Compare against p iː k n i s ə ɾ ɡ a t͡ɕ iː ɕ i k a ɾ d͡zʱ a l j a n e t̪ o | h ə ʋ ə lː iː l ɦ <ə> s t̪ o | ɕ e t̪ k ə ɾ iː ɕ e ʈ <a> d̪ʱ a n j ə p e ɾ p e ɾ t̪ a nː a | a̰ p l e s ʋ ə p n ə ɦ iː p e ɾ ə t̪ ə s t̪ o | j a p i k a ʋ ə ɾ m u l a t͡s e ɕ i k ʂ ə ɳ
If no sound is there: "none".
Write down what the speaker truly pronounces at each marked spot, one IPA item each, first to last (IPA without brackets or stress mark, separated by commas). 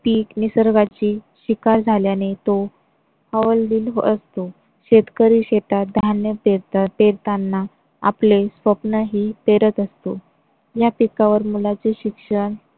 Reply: ə, a